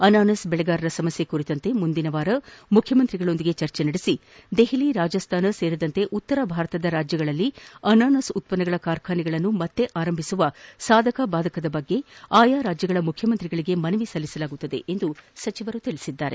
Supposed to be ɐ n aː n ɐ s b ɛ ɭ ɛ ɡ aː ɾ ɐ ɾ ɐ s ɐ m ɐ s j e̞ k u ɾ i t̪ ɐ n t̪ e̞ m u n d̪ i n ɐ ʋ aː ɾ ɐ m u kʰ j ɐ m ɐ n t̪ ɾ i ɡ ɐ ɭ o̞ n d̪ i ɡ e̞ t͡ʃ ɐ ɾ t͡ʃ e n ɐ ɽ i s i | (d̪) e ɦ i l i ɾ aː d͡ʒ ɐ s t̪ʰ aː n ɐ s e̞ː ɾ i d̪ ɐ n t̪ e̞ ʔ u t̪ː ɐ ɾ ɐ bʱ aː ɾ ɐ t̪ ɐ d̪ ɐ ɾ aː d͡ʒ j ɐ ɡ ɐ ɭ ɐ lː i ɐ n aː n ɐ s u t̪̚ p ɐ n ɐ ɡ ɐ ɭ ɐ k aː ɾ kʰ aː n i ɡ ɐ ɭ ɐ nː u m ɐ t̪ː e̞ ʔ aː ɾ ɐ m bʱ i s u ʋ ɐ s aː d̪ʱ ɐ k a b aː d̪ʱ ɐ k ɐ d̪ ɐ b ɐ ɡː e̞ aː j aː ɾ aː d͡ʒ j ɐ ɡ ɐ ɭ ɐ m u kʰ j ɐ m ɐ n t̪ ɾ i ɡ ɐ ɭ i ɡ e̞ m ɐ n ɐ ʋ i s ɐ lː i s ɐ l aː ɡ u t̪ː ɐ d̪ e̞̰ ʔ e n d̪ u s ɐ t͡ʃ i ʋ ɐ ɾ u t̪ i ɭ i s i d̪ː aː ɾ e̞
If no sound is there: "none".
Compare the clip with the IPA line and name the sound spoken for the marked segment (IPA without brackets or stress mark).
d̪